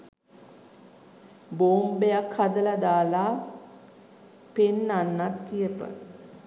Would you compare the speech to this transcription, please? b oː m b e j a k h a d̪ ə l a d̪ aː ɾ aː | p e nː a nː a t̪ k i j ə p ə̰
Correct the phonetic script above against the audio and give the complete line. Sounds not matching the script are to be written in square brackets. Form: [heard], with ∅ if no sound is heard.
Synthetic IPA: b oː m b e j a k h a d̪ ə l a d̪ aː [l] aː | p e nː a nː a t̪ k i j ə p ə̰